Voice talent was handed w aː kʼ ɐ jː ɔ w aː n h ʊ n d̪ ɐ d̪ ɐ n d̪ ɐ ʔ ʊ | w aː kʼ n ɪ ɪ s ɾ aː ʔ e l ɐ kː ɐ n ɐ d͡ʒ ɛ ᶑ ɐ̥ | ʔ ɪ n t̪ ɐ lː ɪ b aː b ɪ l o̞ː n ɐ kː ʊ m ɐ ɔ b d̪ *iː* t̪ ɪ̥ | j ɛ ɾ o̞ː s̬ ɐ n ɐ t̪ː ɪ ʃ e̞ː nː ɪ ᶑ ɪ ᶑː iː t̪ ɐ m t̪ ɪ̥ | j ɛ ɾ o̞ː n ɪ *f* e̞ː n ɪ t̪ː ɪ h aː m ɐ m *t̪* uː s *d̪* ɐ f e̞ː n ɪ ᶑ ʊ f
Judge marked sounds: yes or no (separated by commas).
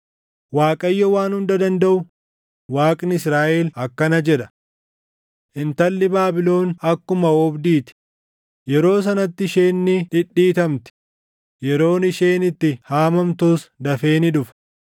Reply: yes, no, yes, yes